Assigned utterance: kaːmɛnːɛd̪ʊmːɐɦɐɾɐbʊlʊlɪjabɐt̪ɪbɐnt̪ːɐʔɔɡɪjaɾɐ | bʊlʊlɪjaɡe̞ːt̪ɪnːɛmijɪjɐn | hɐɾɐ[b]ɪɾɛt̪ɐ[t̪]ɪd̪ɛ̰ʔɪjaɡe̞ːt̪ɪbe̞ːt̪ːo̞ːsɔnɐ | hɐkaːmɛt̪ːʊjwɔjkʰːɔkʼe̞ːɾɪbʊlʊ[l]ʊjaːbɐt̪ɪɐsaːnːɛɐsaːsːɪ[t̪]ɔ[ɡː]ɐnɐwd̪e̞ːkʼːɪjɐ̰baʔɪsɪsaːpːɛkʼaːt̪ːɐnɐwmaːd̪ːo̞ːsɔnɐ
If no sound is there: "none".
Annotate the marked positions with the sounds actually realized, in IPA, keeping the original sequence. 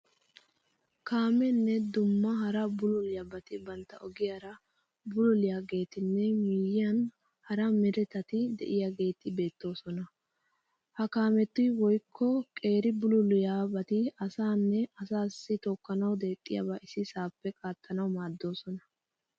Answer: m, t̪, l, t̪, kː

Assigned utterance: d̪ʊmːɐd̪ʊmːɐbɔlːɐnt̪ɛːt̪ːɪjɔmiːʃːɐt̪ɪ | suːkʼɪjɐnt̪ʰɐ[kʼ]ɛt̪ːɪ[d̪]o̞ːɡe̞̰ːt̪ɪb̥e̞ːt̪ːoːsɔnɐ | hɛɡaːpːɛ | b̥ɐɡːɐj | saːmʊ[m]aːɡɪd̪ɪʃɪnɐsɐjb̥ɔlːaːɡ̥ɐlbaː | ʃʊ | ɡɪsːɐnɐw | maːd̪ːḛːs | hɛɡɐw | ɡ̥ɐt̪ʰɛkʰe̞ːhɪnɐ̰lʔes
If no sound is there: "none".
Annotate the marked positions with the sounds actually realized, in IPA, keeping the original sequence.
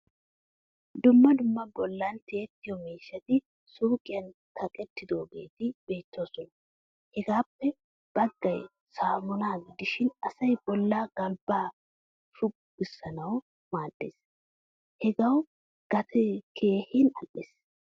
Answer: kʼ, d̪, n

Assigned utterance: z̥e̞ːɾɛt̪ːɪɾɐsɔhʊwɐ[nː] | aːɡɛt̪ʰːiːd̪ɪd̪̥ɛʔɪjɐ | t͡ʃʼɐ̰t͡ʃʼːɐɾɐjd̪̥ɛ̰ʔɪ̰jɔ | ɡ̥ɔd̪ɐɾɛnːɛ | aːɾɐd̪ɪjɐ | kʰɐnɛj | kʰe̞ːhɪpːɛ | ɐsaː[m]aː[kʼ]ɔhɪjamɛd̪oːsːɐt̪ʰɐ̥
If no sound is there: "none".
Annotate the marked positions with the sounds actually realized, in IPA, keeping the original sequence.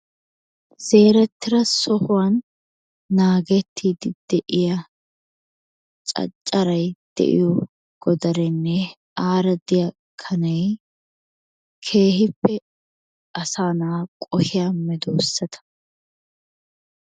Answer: nː, n, kʼ

